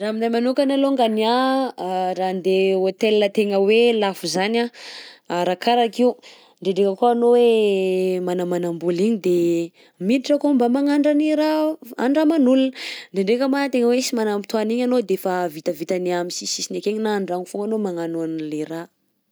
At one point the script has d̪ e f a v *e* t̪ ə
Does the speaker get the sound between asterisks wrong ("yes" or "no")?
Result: yes